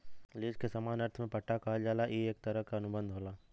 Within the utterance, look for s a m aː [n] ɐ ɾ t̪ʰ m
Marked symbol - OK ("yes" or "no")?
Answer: yes